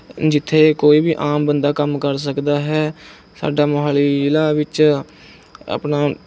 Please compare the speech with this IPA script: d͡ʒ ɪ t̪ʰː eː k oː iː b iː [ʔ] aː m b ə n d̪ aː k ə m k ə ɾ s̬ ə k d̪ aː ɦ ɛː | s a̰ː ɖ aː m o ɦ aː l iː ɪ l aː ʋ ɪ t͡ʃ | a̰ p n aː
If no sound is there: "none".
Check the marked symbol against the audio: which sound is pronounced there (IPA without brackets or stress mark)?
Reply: ʔ